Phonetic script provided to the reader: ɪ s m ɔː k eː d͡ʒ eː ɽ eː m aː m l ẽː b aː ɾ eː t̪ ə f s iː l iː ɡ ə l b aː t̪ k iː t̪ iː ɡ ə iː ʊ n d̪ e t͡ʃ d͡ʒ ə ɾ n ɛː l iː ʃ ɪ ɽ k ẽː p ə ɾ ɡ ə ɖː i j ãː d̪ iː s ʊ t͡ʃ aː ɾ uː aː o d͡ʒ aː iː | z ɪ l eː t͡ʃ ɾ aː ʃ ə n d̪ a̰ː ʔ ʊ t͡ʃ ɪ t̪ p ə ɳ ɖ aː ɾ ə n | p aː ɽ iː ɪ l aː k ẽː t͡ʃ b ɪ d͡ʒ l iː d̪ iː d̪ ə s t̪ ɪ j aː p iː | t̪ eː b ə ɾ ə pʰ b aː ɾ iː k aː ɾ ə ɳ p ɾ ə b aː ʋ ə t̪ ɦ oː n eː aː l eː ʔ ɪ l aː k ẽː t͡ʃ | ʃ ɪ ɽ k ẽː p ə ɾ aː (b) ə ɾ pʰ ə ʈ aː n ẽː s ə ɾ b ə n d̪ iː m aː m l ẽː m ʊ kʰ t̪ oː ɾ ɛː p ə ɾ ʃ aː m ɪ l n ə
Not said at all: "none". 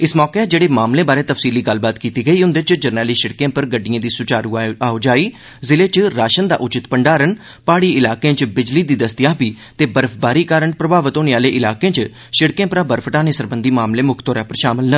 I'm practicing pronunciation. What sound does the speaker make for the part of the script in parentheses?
b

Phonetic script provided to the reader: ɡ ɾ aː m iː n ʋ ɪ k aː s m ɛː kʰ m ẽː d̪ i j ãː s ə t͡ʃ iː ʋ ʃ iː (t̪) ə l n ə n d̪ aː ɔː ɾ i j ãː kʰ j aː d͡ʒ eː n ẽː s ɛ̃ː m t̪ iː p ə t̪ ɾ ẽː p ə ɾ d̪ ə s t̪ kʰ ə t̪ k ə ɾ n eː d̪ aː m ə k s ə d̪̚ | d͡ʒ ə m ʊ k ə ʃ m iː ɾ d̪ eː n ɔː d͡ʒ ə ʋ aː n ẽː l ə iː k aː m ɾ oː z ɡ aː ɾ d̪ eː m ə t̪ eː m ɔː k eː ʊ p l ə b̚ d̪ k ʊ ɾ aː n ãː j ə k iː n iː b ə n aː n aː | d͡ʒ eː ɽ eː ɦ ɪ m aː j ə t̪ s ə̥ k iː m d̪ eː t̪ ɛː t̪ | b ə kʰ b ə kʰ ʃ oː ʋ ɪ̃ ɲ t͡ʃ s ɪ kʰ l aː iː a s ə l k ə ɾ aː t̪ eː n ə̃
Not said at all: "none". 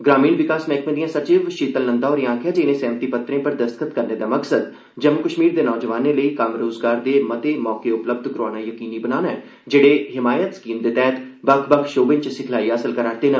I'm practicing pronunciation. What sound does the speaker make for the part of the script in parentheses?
t̪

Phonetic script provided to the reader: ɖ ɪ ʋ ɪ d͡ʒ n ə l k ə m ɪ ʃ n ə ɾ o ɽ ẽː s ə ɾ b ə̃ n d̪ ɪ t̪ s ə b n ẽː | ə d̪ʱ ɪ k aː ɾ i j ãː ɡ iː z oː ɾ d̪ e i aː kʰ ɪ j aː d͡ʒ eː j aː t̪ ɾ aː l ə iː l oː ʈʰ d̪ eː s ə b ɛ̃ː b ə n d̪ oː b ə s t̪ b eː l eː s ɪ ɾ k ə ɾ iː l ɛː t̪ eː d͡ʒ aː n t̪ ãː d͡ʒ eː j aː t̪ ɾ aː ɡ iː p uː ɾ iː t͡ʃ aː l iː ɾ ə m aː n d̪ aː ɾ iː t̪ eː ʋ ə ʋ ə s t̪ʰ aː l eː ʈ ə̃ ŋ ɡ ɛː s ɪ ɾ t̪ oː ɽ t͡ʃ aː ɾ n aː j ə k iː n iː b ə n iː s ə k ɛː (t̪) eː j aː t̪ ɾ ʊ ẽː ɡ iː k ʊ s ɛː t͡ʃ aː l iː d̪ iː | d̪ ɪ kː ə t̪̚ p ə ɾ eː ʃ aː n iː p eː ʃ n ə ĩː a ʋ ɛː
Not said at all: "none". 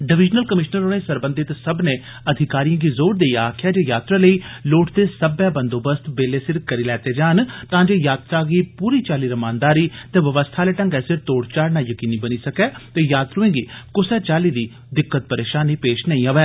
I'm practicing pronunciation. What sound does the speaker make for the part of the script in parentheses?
t̪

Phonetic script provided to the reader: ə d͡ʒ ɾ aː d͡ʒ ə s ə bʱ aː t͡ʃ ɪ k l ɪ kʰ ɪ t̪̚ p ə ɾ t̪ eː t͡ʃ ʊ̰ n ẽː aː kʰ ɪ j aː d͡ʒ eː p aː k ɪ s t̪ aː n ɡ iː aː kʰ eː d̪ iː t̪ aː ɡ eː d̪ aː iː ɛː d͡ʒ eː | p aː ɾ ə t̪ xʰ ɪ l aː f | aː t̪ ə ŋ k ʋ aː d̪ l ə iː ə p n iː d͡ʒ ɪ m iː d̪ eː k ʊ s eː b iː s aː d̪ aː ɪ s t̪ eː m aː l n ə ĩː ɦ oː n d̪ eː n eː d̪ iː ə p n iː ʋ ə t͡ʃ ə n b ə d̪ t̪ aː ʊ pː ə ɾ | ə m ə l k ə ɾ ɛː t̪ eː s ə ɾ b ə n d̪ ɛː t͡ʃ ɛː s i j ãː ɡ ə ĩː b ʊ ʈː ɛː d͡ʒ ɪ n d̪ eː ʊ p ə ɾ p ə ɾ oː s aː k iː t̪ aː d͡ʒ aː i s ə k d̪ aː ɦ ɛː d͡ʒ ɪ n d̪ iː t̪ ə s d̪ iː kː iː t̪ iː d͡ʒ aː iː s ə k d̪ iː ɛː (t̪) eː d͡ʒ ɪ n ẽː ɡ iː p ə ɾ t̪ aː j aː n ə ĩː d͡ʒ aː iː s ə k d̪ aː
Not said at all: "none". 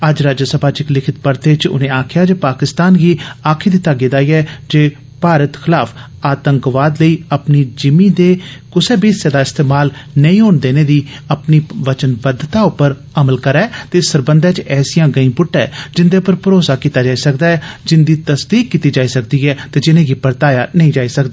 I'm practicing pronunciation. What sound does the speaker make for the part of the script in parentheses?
t̪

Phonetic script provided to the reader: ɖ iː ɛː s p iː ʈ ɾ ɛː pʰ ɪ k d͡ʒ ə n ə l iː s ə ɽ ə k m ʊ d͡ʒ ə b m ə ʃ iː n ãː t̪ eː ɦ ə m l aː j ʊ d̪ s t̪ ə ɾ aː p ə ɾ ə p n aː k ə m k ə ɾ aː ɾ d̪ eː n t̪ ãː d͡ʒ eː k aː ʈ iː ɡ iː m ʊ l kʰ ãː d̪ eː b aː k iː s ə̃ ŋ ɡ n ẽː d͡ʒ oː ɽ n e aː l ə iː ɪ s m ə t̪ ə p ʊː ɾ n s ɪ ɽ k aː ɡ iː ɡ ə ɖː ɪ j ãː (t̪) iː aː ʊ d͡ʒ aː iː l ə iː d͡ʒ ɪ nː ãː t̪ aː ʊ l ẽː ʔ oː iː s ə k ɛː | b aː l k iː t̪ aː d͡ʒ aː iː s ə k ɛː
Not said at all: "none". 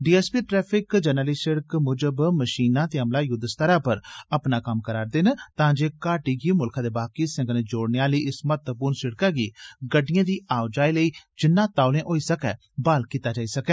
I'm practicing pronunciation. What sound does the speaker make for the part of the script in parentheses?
d̪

